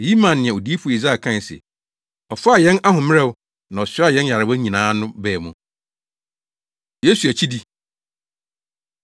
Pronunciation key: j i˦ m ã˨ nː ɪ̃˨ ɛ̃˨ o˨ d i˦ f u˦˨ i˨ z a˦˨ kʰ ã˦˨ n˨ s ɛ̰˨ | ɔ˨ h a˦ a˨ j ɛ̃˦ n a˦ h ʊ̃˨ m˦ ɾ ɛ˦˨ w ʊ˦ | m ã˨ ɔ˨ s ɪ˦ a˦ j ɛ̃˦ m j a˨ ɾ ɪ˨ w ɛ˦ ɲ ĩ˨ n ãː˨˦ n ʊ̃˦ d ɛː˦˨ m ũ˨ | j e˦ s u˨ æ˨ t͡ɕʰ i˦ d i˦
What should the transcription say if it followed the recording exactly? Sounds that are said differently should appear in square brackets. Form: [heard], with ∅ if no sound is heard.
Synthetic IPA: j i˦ m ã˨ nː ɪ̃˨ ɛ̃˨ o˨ d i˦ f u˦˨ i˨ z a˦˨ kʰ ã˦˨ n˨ s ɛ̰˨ | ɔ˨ [f] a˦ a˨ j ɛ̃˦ n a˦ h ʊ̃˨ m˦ ɾ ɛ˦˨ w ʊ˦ | [n] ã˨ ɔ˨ s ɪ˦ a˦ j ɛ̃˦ [n] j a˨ ɾ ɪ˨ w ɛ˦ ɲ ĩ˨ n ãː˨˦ n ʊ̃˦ [b] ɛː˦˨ m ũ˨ | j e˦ s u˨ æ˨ t͡ɕʰ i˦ d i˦